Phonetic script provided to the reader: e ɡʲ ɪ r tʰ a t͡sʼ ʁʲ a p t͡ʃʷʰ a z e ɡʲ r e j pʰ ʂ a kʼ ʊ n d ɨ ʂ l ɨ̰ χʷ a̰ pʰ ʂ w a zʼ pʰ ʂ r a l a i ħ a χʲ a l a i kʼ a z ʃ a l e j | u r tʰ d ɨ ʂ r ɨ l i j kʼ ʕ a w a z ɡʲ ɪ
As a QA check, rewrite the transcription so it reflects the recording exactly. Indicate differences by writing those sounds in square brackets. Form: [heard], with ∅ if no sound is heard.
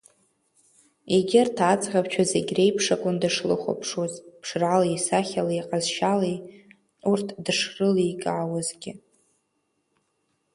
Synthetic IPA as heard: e ɡʲ ɪ r tʰ a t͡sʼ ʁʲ a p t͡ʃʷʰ a z e ɡʲ r e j pʰ ʂ a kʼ ʊ n d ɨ ʂ l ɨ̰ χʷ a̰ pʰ ʂ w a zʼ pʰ ʂ r a l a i [s] a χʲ a l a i [qʼ] a z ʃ a l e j | u r tʰ d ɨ ʂ r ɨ l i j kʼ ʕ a w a z ɡʲ ɪ